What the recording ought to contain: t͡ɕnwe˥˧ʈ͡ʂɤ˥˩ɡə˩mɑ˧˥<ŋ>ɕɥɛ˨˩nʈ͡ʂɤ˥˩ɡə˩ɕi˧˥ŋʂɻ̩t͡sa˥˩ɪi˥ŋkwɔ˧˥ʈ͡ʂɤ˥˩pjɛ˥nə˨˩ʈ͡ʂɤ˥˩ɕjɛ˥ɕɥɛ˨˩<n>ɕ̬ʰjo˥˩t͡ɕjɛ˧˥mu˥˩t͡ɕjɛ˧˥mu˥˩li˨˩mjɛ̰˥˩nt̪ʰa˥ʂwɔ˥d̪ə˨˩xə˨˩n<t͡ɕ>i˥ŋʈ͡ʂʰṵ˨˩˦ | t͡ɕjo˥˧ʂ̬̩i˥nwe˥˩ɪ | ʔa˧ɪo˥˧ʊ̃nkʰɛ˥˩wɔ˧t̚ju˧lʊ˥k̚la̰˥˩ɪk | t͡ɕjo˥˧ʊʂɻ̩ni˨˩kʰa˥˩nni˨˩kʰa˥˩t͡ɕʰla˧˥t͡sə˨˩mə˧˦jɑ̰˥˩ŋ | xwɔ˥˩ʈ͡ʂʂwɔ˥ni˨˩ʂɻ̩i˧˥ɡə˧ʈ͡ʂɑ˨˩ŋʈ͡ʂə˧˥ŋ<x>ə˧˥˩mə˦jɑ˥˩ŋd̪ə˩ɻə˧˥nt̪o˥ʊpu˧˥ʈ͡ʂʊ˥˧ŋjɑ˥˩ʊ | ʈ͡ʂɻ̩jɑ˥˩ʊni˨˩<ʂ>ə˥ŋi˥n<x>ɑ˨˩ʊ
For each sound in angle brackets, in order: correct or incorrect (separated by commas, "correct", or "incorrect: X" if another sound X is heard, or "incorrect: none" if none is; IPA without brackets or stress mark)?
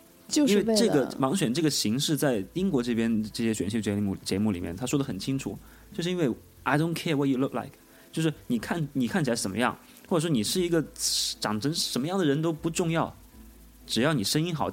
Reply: correct, correct, incorrect: t͡ɕʰ, incorrect: ʂ, correct, correct